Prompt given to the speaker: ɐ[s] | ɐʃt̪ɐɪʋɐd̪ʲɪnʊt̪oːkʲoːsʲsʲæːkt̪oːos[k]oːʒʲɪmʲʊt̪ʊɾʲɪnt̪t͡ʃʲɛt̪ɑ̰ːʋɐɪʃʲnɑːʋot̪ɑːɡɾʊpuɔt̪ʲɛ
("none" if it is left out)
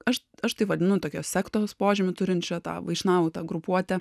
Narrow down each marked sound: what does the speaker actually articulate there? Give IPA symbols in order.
ʃ, p

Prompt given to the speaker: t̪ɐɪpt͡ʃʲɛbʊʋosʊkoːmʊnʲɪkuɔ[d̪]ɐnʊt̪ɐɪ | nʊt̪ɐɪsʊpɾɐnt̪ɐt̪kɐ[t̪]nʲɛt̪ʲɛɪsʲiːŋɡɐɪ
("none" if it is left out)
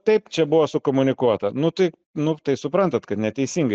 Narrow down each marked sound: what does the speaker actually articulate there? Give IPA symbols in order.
t̪, t̪

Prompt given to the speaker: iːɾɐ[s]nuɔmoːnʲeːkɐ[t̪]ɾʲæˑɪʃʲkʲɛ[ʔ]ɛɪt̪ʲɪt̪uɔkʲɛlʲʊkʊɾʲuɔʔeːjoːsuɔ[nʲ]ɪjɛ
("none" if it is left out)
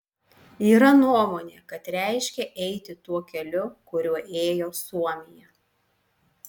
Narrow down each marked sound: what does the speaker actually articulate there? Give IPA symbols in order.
none, t̪, ʔ, mʲ

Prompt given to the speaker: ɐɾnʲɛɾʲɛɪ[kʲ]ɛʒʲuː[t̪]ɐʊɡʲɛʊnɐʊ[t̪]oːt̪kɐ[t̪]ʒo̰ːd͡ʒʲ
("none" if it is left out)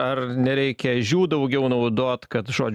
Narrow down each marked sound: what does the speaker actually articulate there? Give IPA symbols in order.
kʲ, d̪, d̪, t̪

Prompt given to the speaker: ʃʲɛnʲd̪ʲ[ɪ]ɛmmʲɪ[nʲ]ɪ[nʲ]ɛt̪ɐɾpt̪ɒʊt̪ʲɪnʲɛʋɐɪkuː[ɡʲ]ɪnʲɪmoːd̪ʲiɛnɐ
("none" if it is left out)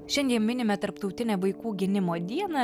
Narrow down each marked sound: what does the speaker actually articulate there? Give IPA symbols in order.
i, nʲ, mʲ, ɡʲ

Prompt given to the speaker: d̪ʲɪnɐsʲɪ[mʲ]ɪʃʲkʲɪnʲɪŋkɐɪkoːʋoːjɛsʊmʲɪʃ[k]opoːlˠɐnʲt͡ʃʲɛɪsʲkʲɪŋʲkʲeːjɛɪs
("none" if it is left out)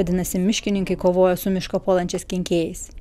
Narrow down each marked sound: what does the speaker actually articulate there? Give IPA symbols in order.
mʲ, k

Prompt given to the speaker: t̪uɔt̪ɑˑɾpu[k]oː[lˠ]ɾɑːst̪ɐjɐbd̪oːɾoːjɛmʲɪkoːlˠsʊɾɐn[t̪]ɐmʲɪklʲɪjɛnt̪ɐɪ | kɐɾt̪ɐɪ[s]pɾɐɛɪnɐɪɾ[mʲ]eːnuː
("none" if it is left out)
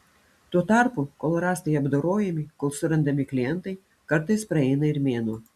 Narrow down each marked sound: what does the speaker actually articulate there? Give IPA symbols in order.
k, lˠ, d̪, s, mʲ

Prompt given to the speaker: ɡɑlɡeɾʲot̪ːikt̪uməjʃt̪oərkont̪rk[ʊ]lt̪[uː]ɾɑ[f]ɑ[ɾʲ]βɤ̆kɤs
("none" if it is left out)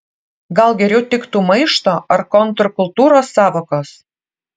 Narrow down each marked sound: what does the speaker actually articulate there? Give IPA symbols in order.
u, u, s, none

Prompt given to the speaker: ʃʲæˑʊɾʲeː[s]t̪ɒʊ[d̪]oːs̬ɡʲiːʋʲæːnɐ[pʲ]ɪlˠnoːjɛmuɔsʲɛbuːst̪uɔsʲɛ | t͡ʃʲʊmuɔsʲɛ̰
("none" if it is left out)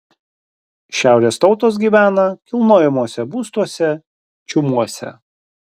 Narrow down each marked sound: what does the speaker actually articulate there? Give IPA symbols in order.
s, t̪, kʲ

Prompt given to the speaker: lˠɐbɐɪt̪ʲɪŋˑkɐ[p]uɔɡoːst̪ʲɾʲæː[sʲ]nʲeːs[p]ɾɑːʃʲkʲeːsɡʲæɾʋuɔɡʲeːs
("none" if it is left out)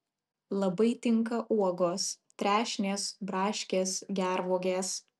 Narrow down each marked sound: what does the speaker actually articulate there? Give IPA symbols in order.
ʔ, ʃʲ, b

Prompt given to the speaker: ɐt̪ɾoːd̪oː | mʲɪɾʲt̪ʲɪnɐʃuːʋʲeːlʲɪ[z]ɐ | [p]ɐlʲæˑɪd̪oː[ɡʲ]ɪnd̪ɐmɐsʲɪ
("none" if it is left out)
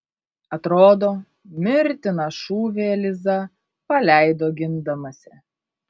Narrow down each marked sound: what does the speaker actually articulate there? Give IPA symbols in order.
z, p, ɡʲ

